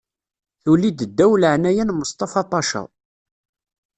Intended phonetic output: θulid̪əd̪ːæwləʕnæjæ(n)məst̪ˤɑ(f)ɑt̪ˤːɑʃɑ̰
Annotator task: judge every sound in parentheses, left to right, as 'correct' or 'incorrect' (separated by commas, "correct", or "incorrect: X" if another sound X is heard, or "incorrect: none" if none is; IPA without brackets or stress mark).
correct, correct